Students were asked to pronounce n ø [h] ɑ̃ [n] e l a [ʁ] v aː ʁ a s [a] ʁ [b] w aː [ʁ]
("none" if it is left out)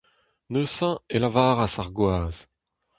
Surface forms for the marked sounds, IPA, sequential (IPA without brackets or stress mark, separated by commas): s, none, none, a, ɡ, z